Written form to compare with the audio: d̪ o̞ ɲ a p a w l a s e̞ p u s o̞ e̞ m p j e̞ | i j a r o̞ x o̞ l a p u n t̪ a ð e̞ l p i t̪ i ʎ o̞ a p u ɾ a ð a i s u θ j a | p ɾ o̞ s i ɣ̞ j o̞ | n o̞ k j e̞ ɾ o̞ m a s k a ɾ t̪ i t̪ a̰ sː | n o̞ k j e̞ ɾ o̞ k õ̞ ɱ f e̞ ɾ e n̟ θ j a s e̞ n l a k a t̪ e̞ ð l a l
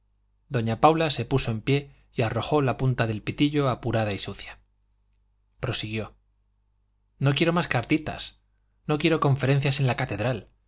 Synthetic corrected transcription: d̪ o̞ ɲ a p a w l a s e̞ p u s o̞ e̞ m p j e̞ | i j a r o̞ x o̞ l a p u n t̪ a ð e̞ l p i t̪ i ʎ o̞ a p u ɾ a ð a i s u θ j a | p ɾ o̞ s i ɣ̞ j o̞ | n o̞ k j e̞ ɾ o̞ m a s k a ɾ t̪ i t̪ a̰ s | n o̞ k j e̞ ɾ o̞ k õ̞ ɱ f e̞ ɾ e n̟ θ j a s e̞ n l a k a t̪ e̞ ð ɾ a l